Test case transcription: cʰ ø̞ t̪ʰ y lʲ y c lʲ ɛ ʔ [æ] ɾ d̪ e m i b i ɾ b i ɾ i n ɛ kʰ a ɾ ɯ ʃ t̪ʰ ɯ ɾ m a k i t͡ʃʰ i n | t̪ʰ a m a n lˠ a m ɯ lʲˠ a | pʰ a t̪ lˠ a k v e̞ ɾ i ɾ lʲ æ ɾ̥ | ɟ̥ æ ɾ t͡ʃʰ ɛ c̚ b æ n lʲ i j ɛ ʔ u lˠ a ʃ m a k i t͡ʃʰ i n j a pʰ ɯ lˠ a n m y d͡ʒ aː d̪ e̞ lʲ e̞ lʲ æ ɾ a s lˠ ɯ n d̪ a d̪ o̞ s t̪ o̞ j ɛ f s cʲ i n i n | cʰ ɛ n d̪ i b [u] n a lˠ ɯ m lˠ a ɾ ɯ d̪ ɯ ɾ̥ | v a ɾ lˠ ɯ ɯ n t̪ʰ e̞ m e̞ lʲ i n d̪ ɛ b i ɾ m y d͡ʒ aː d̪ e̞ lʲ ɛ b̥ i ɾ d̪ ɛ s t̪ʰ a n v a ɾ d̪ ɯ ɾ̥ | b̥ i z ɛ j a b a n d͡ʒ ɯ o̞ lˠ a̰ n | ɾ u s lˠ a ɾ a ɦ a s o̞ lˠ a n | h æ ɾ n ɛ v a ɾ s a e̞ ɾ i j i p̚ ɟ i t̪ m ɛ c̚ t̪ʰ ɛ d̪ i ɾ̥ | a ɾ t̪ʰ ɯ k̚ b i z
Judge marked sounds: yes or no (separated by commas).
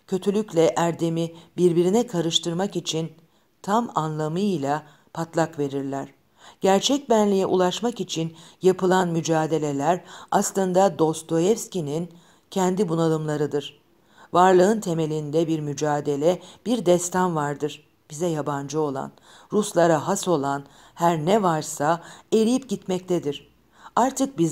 yes, yes